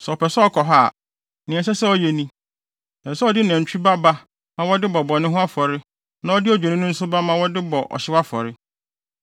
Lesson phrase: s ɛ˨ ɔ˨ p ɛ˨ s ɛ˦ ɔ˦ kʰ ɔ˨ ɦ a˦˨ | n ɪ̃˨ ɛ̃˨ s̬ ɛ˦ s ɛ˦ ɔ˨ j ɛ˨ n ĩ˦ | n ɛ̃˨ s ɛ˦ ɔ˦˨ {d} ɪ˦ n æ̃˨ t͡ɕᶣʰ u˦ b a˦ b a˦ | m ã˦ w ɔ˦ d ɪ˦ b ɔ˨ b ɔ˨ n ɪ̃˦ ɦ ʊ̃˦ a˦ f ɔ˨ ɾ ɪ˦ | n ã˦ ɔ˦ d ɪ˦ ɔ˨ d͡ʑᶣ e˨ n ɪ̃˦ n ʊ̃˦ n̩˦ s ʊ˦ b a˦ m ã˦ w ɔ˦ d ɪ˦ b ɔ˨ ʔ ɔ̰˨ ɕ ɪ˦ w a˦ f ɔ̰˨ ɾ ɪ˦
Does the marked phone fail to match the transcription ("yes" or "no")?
no